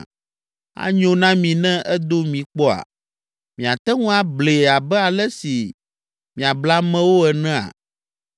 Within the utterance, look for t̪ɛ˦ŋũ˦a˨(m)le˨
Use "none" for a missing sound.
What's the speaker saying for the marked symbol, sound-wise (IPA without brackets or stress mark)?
b